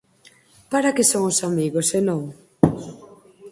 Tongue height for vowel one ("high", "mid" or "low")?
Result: low